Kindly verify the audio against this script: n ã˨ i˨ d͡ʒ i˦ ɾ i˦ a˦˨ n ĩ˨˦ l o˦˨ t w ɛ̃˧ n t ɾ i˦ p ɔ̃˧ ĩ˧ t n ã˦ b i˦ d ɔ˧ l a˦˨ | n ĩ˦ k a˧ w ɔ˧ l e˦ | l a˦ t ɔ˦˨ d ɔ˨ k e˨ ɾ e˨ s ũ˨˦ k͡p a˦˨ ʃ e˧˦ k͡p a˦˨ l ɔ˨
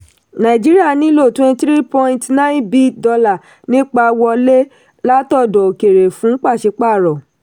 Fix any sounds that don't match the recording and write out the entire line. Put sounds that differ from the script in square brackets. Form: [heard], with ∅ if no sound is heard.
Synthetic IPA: n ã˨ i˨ d͡ʒ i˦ ɾ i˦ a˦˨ n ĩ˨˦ l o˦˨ t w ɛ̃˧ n t ɾ i˦ p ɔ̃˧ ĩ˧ t n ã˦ b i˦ d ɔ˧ l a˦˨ | n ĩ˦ [k͡p] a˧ w ɔ˧ l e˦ | l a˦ t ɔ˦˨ d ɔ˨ k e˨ ɾ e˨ [f] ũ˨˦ k͡p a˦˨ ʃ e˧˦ k͡p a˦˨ [ɾ] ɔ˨